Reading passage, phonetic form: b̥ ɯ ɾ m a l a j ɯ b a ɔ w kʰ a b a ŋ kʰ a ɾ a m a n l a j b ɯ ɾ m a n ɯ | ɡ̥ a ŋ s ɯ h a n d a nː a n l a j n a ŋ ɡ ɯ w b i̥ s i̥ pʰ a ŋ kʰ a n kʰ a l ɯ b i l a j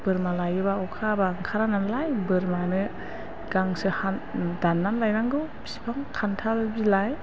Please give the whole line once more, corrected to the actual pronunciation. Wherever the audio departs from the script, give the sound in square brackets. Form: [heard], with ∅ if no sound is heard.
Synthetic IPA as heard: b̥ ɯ ɾ m a l a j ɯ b a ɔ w kʰ a b a ŋ kʰ a ɾ a [n] a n l a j b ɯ ɾ m a n ɯ | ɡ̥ a ŋ s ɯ h a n d a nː a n l a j n a ŋ ɡ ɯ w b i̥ s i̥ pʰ a ŋ kʰ a n [tʰ] a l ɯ b i l a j